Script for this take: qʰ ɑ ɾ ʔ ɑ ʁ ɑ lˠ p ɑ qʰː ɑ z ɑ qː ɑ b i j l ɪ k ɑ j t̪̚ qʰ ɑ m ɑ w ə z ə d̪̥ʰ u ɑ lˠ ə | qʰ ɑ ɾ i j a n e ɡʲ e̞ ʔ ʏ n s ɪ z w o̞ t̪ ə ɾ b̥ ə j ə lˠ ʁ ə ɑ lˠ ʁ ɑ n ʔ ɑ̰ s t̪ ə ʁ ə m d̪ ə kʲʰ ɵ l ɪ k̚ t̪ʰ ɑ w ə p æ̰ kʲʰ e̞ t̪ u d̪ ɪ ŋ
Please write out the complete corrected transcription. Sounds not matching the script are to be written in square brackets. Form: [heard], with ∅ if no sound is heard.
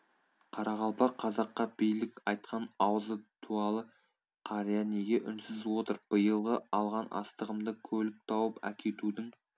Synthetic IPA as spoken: qʰ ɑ ɾ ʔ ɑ ʁ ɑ lˠ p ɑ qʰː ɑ z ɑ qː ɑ b i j l ɪ k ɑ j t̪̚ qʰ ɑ [n] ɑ w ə z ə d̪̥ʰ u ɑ lˠ ə | qʰ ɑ ɾ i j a n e ɡʲ e̞ ʔ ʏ n s ɪ z w o̞ t̪ ə ɾ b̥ ə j ə lˠ ʁ ə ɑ lˠ ʁ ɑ n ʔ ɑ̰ s t̪ ə ʁ ə m d̪ ə kʲʰ ɵ l ɪ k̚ t̪ʰ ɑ w ə p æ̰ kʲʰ e̞ t̪ u d̪ ɪ ŋ

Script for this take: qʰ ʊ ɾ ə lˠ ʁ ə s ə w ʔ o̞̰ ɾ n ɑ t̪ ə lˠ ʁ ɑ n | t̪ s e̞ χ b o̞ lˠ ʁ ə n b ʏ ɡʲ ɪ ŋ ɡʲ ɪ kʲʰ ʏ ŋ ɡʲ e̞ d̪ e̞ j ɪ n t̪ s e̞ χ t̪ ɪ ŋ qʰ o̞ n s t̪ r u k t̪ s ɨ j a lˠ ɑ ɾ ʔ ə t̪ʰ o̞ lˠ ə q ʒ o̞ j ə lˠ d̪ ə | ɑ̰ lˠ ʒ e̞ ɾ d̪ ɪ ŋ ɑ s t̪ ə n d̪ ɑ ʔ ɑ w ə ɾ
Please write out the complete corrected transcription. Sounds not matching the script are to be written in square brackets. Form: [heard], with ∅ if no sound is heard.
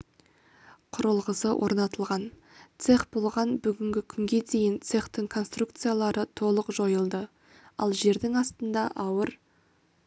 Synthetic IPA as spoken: qʰ ʊ ɾ ə lˠ ʁ ə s ə w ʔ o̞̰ ɾ n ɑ t̪ ə lˠ ʁ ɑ n | t̪ s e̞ χ b o̞ lˠ ʁ [ɑ] n b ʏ ɡʲ ɪ ŋ ɡʲ ɪ kʲʰ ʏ ŋ ɡʲ e̞ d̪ e̞ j ɪ n t̪ s e̞ χ t̪ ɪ ŋ [kʰ] o̞ n s t̪ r u k t̪ s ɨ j a lˠ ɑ ɾ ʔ ə t̪ʰ o̞ lˠ ə q ʒ o̞ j ə lˠ d̪ ə | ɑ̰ lˠ ʒ e̞ ɾ d̪ ɪ ŋ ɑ s t̪ ə n d̪ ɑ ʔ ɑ w ə ɾ

